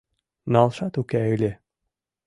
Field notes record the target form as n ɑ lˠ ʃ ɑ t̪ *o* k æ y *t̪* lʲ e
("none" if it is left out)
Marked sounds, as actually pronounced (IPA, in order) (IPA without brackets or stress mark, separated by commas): u, none